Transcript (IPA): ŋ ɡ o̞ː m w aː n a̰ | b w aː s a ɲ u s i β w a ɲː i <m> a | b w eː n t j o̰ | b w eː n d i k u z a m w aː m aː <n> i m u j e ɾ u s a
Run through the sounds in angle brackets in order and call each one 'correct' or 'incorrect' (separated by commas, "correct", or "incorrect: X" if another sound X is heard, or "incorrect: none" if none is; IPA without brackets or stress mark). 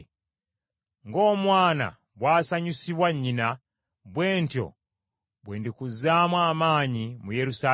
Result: incorrect: n, incorrect: ɲ